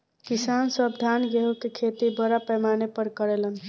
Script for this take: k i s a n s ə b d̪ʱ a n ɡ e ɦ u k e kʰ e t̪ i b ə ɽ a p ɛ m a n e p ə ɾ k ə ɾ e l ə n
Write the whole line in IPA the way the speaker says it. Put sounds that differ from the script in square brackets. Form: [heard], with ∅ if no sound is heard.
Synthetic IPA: k i s a n s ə b d̪ʱ a n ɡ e ɦ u k e kʰ e t̪ i b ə [ɾ] a p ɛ m a n e p ə ɾ k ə ɾ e l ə n